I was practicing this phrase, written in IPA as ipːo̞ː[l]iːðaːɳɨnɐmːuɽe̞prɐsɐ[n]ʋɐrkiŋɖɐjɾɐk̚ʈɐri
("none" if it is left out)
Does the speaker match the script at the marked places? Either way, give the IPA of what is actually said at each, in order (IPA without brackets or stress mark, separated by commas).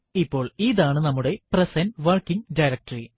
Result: ɭ, n